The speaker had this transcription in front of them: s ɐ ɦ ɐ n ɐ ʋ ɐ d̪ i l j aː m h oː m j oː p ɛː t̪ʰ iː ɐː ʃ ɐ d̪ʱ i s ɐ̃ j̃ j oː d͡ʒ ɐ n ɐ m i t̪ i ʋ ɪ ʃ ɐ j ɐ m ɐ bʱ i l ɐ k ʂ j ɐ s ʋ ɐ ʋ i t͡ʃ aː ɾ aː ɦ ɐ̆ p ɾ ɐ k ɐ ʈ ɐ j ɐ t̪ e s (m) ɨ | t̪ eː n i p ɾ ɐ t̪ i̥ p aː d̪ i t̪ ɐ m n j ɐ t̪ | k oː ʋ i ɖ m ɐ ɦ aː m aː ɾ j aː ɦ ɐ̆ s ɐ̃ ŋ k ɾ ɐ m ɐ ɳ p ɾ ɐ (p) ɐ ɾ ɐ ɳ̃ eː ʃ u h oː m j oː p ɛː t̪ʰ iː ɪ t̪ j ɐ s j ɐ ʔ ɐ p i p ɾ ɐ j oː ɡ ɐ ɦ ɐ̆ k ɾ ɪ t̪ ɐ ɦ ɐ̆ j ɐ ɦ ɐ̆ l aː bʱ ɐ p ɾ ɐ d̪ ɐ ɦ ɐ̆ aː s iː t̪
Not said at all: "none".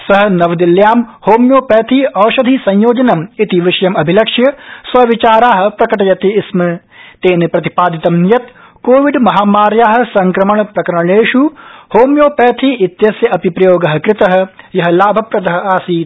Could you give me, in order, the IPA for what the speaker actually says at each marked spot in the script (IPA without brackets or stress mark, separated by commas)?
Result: m, k